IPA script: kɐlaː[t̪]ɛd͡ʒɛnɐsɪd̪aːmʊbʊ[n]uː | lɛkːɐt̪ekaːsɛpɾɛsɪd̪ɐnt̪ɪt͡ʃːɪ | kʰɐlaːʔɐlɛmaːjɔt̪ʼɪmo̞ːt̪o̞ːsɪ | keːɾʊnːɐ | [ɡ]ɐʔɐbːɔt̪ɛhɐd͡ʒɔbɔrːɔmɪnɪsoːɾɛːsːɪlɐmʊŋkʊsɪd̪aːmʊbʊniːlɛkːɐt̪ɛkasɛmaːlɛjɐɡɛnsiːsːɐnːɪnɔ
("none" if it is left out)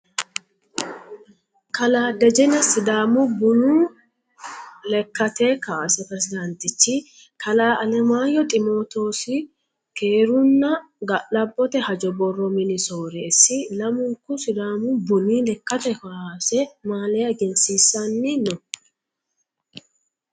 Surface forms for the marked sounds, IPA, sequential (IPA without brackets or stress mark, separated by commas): d̪, n, ɡ